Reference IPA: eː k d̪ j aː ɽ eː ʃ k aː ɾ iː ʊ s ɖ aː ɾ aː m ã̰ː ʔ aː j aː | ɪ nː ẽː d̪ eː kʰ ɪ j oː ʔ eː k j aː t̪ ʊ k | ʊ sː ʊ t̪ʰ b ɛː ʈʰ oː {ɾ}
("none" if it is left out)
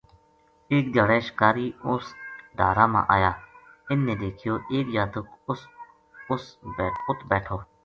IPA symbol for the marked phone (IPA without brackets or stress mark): none